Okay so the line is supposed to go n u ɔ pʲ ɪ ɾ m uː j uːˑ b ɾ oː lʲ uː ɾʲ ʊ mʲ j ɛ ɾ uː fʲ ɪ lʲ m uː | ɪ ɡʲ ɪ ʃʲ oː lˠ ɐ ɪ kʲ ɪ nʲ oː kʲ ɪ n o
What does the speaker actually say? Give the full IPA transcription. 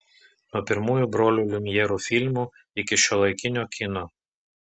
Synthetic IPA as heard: n u ɔ pʲ ɪ ɾ m uː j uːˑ b ɾ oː lʲ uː lʲ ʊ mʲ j ɛ ɾ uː fʲ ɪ lʲ m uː | ɪ kʲ ɪ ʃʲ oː lˠ ɐ ɪ kʲ ɪ nʲ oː kʲ ɪ n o